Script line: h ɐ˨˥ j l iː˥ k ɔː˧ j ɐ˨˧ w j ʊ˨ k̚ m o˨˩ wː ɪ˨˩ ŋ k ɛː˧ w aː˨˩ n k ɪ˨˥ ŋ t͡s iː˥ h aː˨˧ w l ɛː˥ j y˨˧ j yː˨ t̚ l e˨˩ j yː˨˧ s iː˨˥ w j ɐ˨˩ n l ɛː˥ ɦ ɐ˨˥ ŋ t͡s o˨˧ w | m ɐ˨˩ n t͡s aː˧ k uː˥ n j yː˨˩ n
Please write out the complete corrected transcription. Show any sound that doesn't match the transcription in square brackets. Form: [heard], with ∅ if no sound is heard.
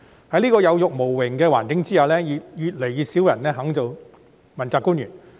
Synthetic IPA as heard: h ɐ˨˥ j l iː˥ k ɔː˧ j ɐ˨˧ w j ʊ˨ k̚ m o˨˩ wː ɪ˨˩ ŋ k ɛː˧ w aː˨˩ n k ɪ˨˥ ŋ t͡s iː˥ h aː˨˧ w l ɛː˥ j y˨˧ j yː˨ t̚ l e˨˩ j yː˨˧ s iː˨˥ w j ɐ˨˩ n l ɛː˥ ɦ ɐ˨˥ ŋ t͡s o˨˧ w | m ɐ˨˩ n t͡s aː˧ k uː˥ n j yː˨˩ n